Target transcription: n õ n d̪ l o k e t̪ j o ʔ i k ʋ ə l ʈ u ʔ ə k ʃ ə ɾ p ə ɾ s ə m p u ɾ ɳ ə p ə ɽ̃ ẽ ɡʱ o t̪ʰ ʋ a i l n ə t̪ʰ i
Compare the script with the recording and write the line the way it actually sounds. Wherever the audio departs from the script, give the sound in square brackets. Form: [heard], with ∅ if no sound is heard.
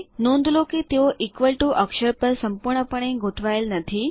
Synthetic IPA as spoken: n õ n d̪ l o k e t̪ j o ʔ i k ʋ ə l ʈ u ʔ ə k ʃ ə ɾ p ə ɾ s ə m p u ɾ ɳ ə p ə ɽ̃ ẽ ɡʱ o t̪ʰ ʋ a [j] l n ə t̪ʰ i